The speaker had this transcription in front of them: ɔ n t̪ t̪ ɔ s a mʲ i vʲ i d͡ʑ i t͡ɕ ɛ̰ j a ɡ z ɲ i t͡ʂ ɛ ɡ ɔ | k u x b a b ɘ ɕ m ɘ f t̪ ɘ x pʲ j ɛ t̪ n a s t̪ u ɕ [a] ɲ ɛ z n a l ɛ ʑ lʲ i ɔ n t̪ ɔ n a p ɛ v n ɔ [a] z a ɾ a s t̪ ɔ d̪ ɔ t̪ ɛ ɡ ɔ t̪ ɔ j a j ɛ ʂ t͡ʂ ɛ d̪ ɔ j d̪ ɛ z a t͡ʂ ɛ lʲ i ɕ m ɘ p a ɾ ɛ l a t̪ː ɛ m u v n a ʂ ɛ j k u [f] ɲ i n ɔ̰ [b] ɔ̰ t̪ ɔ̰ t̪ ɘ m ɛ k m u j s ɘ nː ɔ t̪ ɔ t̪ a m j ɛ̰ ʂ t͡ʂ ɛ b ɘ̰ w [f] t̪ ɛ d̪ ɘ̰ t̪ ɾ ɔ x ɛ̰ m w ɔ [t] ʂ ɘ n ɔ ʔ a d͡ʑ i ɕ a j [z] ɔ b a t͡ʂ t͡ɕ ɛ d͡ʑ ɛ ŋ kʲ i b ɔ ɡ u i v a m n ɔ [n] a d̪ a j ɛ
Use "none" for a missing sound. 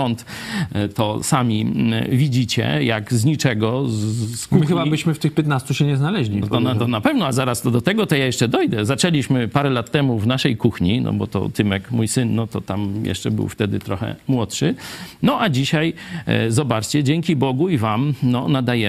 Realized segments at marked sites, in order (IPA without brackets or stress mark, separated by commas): ɛ, a, x, b, f, t, z, n